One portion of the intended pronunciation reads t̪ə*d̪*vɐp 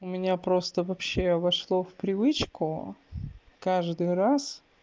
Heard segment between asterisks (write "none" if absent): none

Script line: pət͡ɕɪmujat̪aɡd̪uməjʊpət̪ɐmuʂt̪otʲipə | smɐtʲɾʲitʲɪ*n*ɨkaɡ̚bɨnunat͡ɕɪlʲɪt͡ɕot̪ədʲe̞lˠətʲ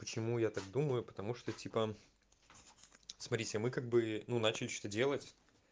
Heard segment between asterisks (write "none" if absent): m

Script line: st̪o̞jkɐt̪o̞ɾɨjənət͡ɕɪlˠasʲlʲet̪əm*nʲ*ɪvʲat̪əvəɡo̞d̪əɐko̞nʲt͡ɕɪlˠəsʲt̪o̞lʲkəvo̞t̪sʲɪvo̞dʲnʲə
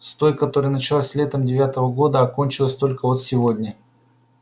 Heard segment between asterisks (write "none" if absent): dʲ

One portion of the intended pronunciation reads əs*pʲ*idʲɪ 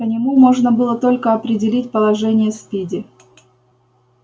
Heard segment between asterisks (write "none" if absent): pʲ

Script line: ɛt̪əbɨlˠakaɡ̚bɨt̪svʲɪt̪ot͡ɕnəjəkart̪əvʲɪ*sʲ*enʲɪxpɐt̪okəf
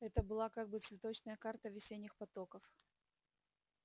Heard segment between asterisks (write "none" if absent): sʲ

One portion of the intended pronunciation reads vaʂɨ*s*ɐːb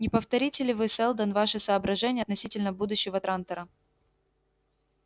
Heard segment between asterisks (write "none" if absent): s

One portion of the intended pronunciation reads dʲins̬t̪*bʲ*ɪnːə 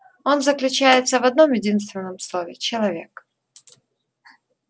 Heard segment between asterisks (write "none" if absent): vʲ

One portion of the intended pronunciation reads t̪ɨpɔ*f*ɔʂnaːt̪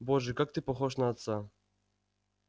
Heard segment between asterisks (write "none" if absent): x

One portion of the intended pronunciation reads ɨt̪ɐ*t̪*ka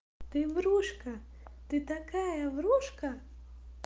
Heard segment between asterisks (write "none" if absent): none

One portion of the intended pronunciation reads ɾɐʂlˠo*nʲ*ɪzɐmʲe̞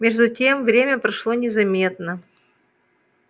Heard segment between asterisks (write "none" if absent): nʲ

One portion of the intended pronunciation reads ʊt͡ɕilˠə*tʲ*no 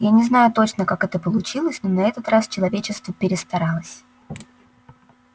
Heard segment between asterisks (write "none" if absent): sʲ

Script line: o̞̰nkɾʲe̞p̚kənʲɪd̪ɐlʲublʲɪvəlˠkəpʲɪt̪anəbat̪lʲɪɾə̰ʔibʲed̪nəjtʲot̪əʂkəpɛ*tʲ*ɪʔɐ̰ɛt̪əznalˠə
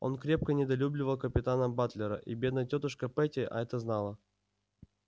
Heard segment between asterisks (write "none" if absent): tʲ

